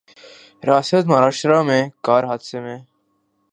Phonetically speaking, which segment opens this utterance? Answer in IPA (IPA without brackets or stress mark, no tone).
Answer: ɾ